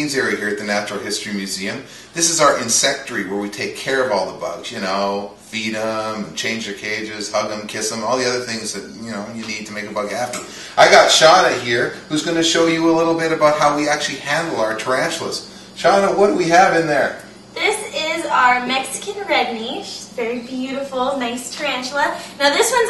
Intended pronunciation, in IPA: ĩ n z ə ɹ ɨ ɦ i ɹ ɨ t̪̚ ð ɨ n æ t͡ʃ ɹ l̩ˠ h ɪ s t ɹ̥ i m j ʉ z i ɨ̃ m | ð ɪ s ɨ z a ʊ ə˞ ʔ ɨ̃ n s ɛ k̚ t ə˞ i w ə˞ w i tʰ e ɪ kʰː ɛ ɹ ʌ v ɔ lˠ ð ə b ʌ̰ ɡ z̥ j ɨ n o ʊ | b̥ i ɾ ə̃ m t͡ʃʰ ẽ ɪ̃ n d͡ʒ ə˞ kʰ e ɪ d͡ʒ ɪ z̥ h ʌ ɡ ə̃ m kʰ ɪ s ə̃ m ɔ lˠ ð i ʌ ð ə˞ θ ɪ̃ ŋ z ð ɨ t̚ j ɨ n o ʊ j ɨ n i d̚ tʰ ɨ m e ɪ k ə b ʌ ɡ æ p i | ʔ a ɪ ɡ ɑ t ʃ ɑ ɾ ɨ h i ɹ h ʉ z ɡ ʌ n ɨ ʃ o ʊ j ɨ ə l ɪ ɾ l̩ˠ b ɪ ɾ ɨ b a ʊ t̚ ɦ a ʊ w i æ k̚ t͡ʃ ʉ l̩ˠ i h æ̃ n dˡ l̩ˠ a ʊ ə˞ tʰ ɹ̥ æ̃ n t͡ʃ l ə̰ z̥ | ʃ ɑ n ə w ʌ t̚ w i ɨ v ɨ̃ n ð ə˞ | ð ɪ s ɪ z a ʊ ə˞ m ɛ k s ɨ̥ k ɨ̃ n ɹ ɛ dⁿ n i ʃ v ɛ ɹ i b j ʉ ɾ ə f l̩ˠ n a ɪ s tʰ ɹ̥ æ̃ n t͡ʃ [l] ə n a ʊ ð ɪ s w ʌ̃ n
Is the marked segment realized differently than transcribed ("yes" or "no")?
no